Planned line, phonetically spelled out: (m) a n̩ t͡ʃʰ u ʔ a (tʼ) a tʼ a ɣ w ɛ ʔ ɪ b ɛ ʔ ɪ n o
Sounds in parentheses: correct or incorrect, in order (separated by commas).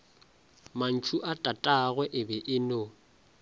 correct, correct